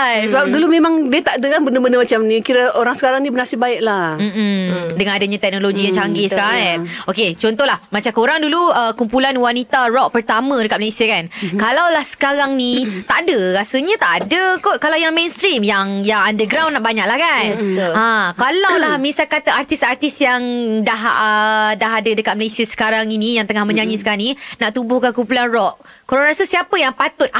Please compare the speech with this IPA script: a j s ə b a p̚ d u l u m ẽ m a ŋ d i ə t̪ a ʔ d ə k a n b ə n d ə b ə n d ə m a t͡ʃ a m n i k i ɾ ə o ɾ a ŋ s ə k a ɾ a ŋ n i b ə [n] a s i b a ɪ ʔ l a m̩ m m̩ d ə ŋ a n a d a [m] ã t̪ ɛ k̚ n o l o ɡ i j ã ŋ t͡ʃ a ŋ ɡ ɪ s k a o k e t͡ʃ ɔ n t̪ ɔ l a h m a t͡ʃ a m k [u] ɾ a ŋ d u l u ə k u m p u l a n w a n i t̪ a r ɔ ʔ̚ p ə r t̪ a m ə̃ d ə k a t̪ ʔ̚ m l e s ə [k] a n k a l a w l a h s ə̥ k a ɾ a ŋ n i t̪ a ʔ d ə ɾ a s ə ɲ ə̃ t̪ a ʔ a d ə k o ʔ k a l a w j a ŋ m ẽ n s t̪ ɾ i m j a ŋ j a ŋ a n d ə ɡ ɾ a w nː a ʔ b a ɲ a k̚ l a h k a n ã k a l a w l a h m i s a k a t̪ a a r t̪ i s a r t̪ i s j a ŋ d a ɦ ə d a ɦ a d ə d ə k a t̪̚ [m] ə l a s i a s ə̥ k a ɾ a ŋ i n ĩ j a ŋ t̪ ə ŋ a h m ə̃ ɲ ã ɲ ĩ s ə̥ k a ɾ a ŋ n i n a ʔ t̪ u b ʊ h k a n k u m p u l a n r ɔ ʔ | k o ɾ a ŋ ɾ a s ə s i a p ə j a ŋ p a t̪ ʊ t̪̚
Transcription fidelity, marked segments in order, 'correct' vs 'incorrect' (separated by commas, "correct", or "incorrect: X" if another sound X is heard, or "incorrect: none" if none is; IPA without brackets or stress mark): correct, incorrect: ɲ, incorrect: o, correct, correct